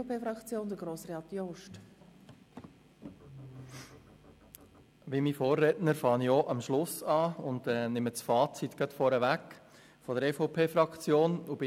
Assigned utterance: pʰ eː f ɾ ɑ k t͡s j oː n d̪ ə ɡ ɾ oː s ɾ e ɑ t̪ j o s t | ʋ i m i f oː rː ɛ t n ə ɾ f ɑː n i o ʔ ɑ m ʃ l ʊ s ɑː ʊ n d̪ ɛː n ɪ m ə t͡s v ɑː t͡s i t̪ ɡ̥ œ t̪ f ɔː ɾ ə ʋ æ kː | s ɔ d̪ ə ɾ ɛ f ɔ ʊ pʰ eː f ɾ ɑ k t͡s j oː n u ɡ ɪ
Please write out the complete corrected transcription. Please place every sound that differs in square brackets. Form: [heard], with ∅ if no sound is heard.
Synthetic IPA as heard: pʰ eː f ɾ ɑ k t͡s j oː n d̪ ə ɡ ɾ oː s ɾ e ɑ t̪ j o [ʃ] t | ʋ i m i f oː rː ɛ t n ə ɾ f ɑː n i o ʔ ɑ m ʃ l ʊ s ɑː ʊ n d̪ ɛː n ɪ m ə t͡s [f] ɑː t͡s i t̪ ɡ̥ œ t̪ f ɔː ɾ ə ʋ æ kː | [f] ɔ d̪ ə ɾ ɛ f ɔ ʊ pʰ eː f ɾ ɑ k t͡s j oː n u [b] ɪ